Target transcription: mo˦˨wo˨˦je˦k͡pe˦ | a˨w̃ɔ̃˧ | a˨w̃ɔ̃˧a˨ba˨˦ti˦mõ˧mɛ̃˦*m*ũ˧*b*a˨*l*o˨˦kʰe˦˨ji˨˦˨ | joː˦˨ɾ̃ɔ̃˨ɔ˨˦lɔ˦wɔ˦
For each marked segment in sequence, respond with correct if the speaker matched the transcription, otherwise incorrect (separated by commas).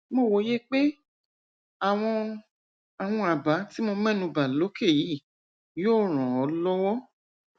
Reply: incorrect, correct, correct